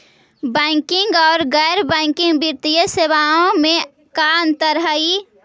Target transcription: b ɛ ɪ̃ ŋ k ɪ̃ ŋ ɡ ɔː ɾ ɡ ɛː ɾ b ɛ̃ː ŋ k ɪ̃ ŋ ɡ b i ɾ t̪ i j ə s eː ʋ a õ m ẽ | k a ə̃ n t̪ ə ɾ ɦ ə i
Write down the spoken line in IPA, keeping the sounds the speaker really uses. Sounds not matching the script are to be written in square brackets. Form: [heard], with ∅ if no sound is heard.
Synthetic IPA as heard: b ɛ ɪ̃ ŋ k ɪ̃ ŋ ɡ ɔː ɾ ɡ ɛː ɾ b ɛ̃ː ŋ k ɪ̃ ŋ ɡ b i ɾ t̪ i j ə s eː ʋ a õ m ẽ | k a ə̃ n t̪ ə ɾ ɦ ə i